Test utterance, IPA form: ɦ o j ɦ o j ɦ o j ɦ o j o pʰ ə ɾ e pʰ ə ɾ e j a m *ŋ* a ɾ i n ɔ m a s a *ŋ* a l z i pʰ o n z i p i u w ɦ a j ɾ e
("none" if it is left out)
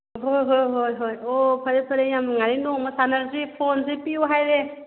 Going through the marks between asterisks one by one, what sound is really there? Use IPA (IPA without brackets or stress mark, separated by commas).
ŋ, n